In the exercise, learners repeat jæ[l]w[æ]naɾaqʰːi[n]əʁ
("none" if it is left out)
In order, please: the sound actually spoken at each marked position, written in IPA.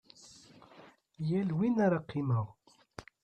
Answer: l, i, m

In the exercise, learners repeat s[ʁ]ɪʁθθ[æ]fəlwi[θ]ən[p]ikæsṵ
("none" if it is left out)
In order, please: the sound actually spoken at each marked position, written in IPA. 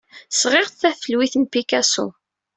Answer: ʁ, æ, θ, p

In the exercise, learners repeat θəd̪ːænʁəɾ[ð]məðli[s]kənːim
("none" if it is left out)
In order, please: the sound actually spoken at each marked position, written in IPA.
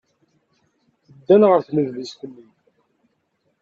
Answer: θ, s

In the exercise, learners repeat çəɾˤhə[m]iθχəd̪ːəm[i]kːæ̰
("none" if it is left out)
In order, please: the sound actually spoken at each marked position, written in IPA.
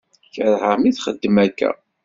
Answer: m, æ

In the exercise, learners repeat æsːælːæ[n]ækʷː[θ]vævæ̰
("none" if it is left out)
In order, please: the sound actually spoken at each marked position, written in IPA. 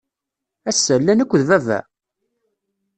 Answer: n, ð

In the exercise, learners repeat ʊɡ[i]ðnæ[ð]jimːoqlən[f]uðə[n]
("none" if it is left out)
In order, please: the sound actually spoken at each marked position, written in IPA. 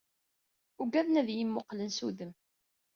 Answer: æ, ð, s, m

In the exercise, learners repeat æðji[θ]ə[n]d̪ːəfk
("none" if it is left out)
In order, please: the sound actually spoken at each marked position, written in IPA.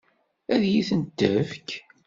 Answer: θ, n

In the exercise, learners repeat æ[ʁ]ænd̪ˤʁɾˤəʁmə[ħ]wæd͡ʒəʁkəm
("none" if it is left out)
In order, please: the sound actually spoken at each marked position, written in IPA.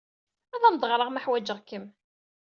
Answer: ð, ħ

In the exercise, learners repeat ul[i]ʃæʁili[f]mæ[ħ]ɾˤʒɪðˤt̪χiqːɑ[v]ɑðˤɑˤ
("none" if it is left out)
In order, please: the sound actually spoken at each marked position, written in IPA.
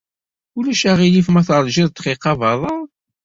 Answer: æ, f, θ, v

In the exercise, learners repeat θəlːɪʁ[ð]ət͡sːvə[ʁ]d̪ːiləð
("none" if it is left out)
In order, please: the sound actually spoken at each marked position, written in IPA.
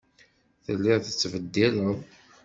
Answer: θ, none

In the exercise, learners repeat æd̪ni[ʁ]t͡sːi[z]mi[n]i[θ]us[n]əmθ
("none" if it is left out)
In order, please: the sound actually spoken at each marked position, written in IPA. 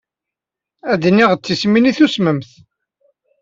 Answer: ʁ, s, n, θ, m

